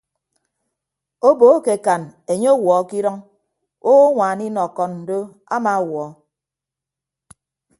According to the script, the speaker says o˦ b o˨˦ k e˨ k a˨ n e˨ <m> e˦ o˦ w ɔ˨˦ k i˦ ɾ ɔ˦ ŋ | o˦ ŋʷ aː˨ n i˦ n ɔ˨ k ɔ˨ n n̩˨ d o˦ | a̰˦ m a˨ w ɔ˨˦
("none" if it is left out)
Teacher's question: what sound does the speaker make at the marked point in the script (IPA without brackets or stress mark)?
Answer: ɲ